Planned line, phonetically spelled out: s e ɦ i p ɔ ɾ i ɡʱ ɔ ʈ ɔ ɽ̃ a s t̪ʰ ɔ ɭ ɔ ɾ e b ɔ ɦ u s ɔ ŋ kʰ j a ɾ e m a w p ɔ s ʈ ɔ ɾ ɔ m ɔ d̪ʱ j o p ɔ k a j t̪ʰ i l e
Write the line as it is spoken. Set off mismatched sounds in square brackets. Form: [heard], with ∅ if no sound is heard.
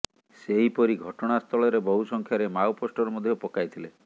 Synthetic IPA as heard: s e ɦ i p ɔ ɾ i ɡʱ ɔ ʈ ɔ ɽ̃ a s t̪ʰ ɔ ɭ ɔ ɾ e b ɔ ɦ u s ɔ ŋ kʰ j a ɾ e m a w p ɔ s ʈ ɔ ɾ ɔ m ɔ d̪ʱ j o p ɔ k a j t̪ʰ i l e